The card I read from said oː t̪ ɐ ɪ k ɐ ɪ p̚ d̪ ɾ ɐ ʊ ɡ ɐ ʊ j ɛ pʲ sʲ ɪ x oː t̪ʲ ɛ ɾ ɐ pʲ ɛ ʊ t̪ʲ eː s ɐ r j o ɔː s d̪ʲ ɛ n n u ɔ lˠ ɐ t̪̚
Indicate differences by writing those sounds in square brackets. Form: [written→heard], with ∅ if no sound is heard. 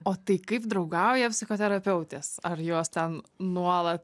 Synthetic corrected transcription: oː t̪ ɐ ɪ k ɐ ɪ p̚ d̪ ɾ ɐ ʊ ɡ ɐ ʊ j ɛ pʲ sʲ ɪ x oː t̪ʲ ɛ ɾ ɐ pʲ ɛ ʊ t̪ʲ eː s ɐ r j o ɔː s [d̪ʲ→t̪ʲ] ɛ n n u ɔ lˠ ɐ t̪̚